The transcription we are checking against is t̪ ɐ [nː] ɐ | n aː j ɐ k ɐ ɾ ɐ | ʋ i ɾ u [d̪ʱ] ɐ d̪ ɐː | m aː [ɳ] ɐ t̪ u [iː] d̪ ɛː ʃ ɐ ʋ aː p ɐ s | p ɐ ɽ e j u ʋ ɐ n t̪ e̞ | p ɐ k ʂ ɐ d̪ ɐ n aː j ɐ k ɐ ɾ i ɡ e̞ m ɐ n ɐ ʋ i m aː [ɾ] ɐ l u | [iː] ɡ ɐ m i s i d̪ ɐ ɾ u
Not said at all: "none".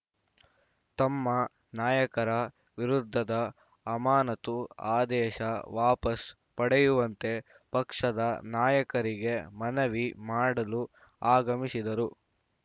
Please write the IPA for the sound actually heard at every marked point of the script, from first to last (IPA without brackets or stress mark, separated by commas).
mː, d̪ʱː, n, aː, ɽ, aː